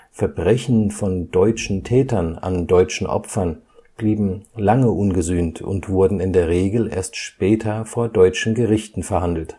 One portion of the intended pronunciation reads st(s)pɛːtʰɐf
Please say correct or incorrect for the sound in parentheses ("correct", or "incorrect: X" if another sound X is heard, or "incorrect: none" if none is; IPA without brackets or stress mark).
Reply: incorrect: ʃ